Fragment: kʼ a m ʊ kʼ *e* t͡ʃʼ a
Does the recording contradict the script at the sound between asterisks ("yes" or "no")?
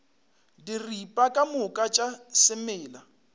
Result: yes